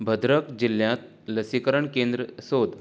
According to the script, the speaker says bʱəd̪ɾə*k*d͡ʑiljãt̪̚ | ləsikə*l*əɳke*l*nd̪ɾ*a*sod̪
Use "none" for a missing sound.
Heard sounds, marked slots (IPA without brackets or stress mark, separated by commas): k, ɾ, none, ə